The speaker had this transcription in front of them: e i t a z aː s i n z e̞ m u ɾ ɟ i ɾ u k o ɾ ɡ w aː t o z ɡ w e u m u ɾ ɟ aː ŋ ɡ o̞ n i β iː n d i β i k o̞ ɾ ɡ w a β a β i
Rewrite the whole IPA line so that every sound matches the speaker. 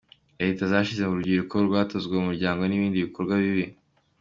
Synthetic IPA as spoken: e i t a z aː ʃ i z e̞ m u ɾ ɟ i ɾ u k o ɾ ɡ w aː t o z ɡ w e u m u ɾ ɟ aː ŋ ɡ o̞ n i β iː n d i β i k o̞ ɾ ɡ w a β i β i